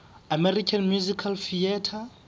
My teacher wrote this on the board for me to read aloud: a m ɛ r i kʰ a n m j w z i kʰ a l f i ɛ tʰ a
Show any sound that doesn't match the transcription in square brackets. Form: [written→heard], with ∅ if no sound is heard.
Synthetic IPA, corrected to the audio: a m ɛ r i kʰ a n m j [w→u] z i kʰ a l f i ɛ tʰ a